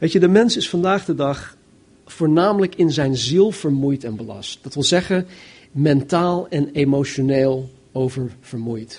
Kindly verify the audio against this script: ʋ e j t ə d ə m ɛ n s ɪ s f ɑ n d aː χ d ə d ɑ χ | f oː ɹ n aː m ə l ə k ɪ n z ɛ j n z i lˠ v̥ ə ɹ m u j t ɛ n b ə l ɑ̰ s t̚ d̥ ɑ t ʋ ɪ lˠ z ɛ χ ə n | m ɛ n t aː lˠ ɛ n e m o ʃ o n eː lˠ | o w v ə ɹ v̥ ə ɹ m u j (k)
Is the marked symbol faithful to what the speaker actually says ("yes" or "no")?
no